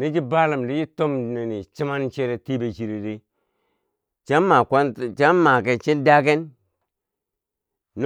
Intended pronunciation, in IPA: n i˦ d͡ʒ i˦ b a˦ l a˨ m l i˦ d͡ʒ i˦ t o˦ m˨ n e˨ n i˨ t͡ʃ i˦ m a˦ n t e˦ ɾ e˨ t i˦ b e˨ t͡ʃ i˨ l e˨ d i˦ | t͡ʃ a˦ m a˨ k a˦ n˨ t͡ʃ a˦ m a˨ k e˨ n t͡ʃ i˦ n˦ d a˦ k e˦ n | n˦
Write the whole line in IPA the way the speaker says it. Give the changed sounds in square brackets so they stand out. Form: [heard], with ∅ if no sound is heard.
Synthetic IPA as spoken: n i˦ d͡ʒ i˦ b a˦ l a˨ m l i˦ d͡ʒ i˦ t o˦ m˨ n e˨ n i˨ t͡ʃ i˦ m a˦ n [t͡ʃ] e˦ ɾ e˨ t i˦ b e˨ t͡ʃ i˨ [ɾ] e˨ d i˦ | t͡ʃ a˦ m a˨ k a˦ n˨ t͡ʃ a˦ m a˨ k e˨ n t͡ʃ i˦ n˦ d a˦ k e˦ n | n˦